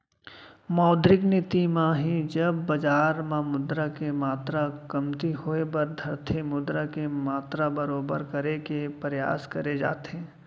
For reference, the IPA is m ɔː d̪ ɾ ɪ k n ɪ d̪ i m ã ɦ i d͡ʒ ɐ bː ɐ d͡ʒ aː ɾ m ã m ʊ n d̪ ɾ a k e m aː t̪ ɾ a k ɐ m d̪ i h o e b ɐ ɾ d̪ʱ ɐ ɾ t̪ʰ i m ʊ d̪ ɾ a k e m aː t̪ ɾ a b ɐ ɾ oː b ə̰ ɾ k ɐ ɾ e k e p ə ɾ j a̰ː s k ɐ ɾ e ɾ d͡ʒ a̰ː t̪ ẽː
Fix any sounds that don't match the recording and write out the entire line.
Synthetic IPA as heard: m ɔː d̪ ɾ ɪ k n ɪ t̪ i m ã ɦ i d͡ʒ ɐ bː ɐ d͡ʒ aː ɾ m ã m ʊ d̪ ɾ a k e m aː t̪ ɾ a k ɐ m t̪ i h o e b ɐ ɾ d̪ʱ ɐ ɾ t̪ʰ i m ʊ d̪ ɾ a k e m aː t̪ ɾ a b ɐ ɾ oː b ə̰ ɾ k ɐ ɾ e k e p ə ɾ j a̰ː s k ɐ ɾ e d͡ʒ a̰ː t̪ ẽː